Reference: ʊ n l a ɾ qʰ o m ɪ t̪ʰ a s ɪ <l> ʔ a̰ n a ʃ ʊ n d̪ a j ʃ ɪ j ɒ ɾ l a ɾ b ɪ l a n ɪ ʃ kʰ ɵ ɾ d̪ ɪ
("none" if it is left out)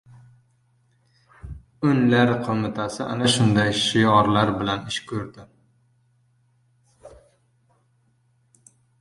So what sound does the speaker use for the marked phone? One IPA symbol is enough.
none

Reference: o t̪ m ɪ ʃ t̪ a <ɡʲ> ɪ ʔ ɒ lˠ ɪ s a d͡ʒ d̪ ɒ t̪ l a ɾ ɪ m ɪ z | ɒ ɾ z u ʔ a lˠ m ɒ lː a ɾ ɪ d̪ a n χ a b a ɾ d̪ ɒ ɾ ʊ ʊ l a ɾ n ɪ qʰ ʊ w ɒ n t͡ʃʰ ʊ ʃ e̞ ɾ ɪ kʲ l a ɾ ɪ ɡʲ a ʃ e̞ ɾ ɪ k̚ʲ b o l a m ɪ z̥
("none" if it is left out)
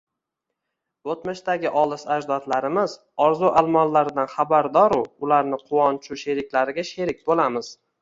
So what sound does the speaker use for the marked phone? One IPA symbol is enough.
ɡʲ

